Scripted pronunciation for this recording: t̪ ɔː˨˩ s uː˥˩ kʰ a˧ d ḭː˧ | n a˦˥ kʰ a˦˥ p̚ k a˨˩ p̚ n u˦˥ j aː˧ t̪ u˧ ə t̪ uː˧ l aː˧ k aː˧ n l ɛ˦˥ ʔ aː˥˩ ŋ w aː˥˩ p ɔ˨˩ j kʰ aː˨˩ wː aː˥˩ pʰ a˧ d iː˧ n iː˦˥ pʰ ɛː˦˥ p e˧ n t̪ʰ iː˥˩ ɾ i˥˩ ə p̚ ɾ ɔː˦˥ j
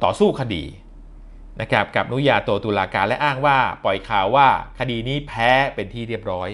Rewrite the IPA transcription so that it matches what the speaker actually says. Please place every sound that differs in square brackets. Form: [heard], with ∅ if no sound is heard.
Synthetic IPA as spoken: t̪ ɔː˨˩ s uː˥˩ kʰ a˧ d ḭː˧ | n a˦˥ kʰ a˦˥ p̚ k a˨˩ p̚ n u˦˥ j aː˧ t̪ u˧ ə t̪ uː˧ l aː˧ k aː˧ n l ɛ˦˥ ʔ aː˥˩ ŋ w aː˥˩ p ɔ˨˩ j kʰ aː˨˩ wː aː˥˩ [kʰ] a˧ d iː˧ n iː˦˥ pʰ ɛː˦˥ p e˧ n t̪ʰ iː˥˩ ɾ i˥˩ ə p̚ ɾ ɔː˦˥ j